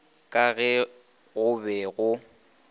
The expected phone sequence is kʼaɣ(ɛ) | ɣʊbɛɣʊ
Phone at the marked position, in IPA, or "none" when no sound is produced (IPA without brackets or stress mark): ɛ